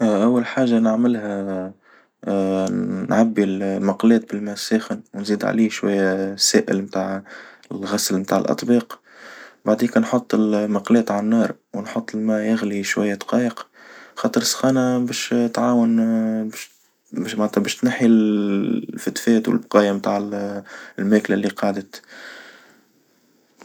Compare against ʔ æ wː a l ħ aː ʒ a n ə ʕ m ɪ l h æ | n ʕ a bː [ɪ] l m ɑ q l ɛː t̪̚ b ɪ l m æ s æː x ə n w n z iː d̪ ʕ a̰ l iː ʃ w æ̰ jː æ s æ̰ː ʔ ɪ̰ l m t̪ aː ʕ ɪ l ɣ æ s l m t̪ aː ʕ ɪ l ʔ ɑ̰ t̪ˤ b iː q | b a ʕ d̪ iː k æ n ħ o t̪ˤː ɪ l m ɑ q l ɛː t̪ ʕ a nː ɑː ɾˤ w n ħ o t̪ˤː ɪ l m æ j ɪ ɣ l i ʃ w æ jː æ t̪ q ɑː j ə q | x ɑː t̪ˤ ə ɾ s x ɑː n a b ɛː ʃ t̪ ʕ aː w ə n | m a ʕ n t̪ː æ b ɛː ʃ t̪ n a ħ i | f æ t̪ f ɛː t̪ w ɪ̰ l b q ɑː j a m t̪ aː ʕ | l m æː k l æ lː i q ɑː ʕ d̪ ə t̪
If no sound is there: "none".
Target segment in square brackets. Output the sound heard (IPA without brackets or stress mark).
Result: i